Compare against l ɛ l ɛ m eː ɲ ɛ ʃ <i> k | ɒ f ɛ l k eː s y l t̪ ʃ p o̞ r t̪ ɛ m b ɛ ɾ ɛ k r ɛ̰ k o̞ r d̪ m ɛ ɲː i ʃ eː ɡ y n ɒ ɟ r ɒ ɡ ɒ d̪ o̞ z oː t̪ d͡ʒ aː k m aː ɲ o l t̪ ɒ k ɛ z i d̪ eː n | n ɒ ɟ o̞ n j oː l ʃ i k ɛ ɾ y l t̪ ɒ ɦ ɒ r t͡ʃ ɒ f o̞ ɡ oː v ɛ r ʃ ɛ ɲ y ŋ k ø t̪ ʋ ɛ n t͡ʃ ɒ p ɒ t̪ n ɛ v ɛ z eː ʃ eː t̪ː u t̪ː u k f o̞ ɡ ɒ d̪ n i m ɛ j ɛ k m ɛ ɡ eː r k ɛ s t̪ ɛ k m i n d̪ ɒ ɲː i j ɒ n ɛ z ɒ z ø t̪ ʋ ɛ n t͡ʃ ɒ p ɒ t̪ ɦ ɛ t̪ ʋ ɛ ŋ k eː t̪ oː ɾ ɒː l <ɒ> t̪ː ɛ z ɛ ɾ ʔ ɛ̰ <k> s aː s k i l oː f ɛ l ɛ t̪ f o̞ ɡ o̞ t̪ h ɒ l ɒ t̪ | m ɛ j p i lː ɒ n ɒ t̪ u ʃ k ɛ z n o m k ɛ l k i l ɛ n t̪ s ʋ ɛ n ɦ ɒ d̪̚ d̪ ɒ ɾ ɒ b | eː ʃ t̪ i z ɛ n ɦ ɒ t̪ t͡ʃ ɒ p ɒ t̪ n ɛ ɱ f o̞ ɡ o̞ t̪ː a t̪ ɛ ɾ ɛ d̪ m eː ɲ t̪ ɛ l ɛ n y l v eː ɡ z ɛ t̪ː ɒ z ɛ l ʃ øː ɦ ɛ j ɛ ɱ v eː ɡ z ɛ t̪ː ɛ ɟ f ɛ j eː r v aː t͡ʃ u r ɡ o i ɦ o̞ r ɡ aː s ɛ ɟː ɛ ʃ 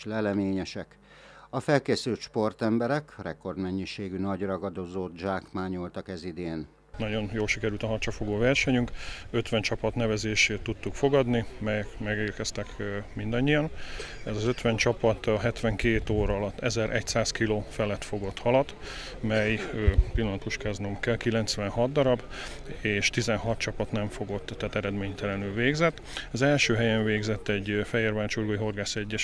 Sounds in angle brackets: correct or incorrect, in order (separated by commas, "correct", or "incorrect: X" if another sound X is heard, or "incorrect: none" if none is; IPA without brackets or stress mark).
incorrect: ɛ, correct, incorrect: c